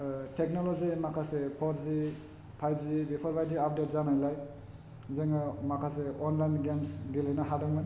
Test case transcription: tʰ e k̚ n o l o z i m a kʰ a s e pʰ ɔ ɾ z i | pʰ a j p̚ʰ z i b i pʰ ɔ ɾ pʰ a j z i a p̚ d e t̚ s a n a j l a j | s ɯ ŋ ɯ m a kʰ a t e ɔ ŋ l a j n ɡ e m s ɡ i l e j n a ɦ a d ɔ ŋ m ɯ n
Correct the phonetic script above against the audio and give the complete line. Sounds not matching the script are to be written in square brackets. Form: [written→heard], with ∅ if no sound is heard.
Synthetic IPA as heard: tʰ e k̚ n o l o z i m a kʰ a s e pʰ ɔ ɾ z i | pʰ a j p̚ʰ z i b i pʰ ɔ ɾ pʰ a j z i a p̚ d e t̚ [s→z] a n a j l a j | [s→z] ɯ ŋ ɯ m a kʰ a [t→s] e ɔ [ŋ→n] l a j n ɡ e m s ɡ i l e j n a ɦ a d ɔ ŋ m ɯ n